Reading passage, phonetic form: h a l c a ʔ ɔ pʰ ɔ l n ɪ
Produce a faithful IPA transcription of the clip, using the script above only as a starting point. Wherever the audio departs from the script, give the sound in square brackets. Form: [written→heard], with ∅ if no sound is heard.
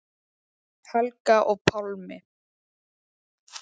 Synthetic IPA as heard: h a l [c→k] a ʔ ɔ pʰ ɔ l [n→m] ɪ